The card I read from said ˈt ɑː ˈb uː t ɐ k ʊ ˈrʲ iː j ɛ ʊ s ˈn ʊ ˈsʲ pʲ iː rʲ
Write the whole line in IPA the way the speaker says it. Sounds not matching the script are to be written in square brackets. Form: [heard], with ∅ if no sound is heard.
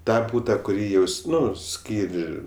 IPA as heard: ˈt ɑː ˈb uː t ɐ k ʊ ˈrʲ iː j ɛ ʊ s ˈn ʊ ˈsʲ [kʲ] iː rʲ